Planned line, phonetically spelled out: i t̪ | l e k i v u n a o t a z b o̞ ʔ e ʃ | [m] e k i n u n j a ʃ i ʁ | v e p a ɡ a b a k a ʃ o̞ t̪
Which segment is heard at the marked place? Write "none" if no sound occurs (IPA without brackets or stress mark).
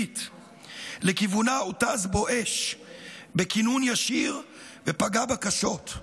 b